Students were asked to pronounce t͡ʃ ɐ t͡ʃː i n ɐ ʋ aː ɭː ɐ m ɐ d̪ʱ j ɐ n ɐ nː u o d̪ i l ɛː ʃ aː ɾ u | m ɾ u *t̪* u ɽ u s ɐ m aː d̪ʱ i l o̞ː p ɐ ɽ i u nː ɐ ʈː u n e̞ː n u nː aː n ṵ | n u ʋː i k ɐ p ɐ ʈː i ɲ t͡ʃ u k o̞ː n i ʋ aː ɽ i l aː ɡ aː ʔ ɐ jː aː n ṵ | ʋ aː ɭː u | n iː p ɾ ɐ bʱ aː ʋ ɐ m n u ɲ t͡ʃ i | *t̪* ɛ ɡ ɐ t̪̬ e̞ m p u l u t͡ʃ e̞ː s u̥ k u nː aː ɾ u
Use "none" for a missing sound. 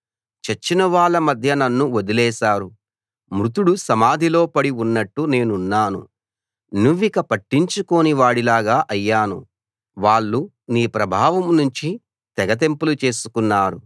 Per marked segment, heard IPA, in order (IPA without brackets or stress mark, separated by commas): t̪, t̪